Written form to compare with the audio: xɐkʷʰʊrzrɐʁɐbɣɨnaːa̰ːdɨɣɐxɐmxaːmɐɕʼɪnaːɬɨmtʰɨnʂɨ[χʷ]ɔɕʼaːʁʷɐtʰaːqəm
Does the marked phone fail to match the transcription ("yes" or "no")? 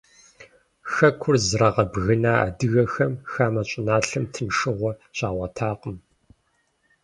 yes